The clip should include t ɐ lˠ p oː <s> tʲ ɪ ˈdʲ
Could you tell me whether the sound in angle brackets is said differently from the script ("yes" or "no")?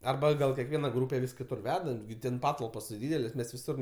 no